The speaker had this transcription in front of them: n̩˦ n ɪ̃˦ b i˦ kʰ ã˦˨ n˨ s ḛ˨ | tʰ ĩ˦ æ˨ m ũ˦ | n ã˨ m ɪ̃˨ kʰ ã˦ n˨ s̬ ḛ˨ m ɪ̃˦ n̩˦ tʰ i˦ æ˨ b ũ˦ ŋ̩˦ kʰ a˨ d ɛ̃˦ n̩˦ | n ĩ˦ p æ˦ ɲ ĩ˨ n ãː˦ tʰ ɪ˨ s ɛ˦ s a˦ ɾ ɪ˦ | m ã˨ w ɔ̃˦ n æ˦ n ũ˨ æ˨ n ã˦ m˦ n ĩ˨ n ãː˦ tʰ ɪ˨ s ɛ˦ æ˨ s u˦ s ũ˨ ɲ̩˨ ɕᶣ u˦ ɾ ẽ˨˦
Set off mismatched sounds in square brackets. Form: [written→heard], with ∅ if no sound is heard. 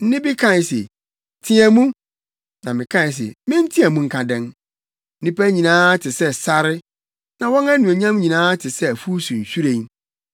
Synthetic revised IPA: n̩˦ n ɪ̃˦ b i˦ kʰ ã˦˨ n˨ s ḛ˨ | tʰ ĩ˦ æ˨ m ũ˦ | n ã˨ m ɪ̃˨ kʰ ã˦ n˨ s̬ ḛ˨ m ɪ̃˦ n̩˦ tʰ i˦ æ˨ [b→m] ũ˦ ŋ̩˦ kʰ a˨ d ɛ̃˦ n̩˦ | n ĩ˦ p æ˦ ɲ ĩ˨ n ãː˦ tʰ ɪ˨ s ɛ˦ s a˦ ɾ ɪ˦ | [m→n] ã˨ w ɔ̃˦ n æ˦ n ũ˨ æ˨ [n→ɲ] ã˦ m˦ [n→ɲ] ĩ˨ n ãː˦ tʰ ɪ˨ s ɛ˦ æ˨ [s→f] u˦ s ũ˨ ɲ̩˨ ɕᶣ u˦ ɾ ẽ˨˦